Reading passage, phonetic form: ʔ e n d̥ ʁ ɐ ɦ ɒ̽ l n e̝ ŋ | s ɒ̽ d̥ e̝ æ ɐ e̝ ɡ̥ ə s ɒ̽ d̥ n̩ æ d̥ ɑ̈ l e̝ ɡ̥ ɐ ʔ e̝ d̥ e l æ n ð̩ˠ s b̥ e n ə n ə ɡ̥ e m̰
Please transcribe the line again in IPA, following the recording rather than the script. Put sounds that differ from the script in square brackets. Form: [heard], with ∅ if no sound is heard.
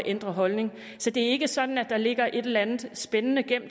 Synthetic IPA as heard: ʔ e n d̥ ʁ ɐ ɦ ɒ̽ l n e̝ ŋ | s ɒ̽ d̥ e̝ æ ɐ e̝ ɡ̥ ə s ɒ̽ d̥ n̩ æ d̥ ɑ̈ l e̝ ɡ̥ ɐ ʔ e̝ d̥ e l æ n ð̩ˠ s b̥ e n ə n ə ɡ̥ e m̰